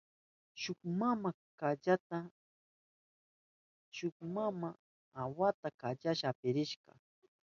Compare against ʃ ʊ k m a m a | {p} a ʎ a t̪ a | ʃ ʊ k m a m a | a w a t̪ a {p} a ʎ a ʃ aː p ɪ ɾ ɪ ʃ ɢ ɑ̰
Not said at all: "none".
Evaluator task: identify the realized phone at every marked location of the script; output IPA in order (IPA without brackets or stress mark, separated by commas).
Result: k, k